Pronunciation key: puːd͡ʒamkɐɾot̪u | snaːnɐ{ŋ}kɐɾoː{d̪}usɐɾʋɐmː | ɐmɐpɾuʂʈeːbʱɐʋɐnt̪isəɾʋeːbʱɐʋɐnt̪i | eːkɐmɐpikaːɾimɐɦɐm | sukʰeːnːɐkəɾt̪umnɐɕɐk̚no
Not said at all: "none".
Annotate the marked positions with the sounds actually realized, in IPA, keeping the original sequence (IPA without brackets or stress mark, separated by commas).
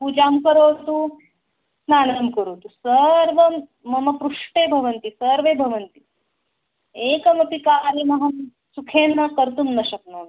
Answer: m, t̪